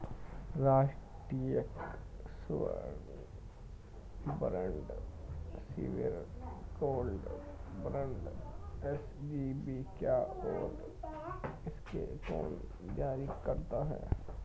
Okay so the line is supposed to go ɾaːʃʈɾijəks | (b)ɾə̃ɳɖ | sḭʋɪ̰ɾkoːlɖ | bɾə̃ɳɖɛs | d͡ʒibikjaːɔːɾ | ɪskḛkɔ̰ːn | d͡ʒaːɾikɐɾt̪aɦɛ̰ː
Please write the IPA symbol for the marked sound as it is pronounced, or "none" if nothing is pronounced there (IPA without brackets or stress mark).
b